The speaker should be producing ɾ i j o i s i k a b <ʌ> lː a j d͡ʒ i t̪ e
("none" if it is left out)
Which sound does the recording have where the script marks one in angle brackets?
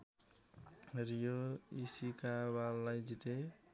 a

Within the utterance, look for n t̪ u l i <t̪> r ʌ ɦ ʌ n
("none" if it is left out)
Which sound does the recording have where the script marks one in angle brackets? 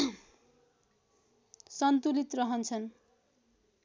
t̪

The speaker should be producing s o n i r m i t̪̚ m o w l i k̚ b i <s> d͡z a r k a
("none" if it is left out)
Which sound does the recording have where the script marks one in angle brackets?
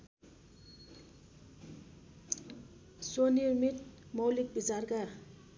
none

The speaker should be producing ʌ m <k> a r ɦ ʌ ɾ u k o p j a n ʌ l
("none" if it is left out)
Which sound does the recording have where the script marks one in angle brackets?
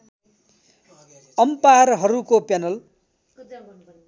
p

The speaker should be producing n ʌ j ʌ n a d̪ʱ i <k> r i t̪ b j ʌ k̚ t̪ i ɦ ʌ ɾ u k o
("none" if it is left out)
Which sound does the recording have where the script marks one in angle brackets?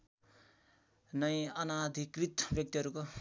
k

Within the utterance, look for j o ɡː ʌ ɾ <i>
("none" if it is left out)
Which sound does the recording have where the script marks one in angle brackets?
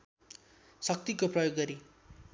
i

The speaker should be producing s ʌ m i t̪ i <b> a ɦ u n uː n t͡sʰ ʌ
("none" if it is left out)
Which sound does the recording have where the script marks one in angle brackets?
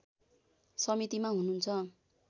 m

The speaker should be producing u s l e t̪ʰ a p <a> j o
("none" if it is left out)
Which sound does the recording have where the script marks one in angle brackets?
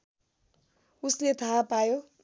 a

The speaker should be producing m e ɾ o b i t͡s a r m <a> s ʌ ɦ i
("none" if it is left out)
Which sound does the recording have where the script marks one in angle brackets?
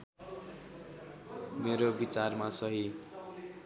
a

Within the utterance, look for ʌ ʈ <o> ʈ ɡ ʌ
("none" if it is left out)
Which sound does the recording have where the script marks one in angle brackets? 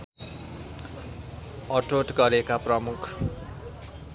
o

